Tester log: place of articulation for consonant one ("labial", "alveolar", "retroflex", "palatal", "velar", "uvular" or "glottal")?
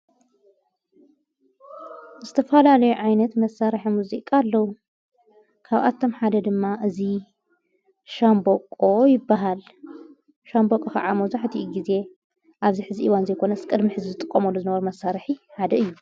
alveolar